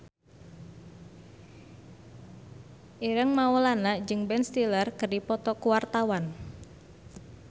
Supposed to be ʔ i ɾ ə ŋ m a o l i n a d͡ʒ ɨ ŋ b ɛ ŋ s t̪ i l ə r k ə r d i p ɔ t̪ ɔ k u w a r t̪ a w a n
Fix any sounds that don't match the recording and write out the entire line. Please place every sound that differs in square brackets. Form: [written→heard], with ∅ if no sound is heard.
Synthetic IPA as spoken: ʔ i ɾ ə ŋ m a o l [i→a] n a d͡ʒ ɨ ŋ b ɛ [ŋ→n] s t̪ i l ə r k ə r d i p ɔ t̪ ɔ k u w a r t̪ a w a n